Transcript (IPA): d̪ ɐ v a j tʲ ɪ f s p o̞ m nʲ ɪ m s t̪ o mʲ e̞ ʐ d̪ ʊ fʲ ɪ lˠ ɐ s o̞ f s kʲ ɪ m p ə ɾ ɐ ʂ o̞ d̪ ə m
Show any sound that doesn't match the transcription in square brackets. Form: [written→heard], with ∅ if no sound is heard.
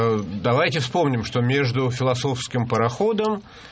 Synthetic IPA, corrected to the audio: d̪ ɐ v a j tʲ ɪ f s p o̞ m nʲ ɪ m [s→ʂ] t̪ o mʲ e̞ ʐ d̪ ʊ fʲ ɪ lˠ ɐ s o̞ f s kʲ ɪ m p ə ɾ ɐ [ʂ→x] o̞ d̪ ə m